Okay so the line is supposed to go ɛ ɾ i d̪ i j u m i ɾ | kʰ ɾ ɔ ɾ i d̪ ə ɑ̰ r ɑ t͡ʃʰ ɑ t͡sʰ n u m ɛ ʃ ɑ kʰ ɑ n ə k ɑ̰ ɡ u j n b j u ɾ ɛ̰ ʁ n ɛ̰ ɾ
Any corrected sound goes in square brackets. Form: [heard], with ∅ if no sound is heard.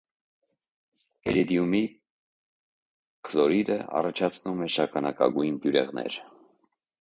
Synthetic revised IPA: ɛ ɾ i d̪ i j u m i [∅] | kʰ [l] ɔ ɾ i d̪ ə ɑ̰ r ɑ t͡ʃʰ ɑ t͡sʰ n u m ɛ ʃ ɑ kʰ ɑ n [ɑ] k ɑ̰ ɡ u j n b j u ɾ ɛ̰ ʁ n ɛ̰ ɾ

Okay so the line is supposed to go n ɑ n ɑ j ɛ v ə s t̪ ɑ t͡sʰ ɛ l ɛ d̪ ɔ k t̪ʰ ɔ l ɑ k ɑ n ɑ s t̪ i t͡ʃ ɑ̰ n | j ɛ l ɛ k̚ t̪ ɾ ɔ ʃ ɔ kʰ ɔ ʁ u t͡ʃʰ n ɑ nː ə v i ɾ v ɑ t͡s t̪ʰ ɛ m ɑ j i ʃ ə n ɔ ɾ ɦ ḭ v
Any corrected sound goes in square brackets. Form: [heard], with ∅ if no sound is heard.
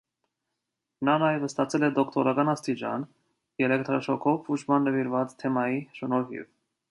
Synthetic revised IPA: n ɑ n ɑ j ɛ v ə s t̪ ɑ t͡sʰ ɛ l ɛ d̪ ɔ k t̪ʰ ɔ [ɾ] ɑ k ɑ n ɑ s t̪ i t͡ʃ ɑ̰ n | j ɛ l ɛ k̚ t̪ ɾ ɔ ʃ ɔ kʰ ɔ [v] u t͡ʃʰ [m] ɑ nː ə v i ɾ v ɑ t͡s t̪ʰ ɛ m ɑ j i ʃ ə n ɔ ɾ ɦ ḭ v

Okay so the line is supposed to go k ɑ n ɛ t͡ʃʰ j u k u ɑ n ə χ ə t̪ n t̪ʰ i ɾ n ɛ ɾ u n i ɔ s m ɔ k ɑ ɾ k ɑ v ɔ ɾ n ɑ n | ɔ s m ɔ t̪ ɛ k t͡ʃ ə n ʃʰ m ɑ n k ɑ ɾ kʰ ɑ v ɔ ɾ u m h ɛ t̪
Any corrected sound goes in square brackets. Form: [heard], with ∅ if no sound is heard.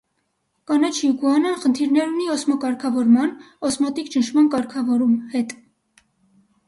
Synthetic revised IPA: k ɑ n ɛ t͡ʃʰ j u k u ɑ n ə χ ə [∅] n t̪ʰ i ɾ n ɛ ɾ u n i ɔ s m ɔ k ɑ ɾ [kʰ] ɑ v ɔ ɾ [m] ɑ n | ɔ s m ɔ t̪ [i] k t͡ʃ ə n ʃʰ m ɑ n k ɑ ɾ kʰ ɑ v ɔ ɾ u m h ɛ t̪

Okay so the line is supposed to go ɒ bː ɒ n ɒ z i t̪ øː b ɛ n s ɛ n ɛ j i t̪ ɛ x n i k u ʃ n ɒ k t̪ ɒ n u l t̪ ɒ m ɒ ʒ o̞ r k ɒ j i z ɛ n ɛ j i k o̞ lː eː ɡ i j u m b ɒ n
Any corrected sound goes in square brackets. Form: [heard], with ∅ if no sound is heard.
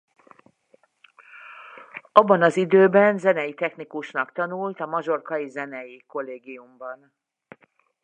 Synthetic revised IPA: ɒ bː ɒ n ɒ z i [d̪] øː b ɛ n [z] ɛ n ɛ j i t̪ ɛ x n i k u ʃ n ɒ k t̪ ɒ n u l t̪ ɒ m ɒ ʒ o̞ r k ɒ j i z ɛ n ɛ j i k o̞ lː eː ɡ i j u m b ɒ n

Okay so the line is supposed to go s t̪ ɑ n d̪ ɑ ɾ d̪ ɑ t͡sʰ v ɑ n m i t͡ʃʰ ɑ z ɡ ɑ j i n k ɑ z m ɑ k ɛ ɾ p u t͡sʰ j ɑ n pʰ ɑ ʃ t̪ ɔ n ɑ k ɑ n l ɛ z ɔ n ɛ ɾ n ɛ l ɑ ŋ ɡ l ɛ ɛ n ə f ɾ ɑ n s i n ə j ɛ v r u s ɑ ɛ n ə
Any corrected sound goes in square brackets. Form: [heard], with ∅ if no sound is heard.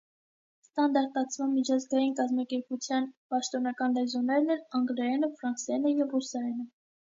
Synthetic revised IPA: s t̪ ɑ n d̪ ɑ ɾ [t̪] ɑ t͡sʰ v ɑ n m i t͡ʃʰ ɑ z ɡ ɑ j i n k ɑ z m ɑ k ɛ ɾ p u t͡sʰ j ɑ n [p] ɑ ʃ t̪ ɔ n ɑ k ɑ n l ɛ z ɔ n ɛ ɾ n ɛ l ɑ ŋ ɡ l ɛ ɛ n ə f ɾ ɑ n s [ɛ] n ə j ɛ v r u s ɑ ɛ n ə

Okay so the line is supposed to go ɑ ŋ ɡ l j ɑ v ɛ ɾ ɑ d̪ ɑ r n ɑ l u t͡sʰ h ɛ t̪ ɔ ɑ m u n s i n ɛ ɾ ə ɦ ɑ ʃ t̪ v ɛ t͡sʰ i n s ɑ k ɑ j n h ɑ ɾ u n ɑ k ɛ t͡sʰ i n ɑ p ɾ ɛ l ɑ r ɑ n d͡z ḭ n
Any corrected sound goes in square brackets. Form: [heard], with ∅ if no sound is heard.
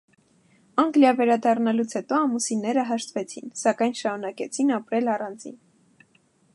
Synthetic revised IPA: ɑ ŋ ɡ l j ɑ v ɛ ɾ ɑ d̪ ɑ r n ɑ l u t͡sʰ h ɛ t̪ ɔ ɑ m u [∅] s i n ɛ ɾ ə ɦ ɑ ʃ t̪ v ɛ t͡sʰ i n s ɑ k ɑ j n [ʃ] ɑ ɾ u n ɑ k ɛ t͡sʰ i n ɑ p ɾ ɛ l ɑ r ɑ n d͡z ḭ n

